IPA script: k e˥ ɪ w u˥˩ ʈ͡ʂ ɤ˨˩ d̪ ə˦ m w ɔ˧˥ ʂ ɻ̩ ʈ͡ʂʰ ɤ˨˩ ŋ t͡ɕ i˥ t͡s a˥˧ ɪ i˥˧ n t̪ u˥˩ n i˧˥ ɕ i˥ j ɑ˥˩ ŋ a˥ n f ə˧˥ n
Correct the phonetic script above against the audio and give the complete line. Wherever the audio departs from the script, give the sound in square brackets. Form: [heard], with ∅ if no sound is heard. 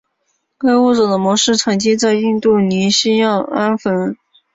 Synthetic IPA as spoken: k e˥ ɪ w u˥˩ ʈ͡ʂ ɤ˨˩ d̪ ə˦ m w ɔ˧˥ ʂ ɻ̩ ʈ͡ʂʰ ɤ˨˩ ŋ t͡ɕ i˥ t͡s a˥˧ ɪ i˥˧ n t̪ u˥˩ n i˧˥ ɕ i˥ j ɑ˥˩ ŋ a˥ n f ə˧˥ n